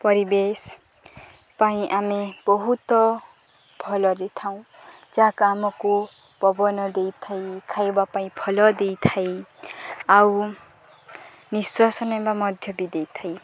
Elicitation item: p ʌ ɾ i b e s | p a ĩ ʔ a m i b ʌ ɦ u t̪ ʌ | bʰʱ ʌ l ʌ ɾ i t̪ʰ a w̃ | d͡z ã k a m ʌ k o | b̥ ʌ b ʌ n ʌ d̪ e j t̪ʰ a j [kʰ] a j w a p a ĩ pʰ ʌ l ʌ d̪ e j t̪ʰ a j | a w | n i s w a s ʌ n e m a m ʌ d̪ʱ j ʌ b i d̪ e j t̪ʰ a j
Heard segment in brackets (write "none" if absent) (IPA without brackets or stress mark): kʰ